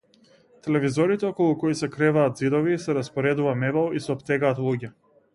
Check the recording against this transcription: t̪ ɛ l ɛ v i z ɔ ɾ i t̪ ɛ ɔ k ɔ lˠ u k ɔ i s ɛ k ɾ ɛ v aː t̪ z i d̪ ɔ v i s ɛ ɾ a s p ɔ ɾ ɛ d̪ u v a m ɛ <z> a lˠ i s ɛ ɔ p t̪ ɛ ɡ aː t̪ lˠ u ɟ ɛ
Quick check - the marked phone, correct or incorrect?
incorrect